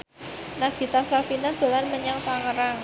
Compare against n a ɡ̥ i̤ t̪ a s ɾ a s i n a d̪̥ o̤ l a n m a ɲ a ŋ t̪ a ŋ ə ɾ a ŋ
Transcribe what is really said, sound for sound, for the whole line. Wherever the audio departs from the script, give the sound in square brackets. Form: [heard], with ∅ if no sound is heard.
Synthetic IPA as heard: n a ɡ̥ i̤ t̪ a s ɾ a [f] i n a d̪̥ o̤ l a n m [ə] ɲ a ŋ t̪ a ŋ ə ɾ a ŋ